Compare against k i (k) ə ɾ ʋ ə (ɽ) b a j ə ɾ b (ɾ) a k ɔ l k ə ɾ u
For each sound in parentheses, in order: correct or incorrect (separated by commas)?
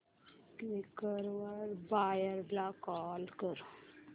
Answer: correct, incorrect, incorrect